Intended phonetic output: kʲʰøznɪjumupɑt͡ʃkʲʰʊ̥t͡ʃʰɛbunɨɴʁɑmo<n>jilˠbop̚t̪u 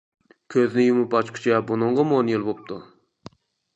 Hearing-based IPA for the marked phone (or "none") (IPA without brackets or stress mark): n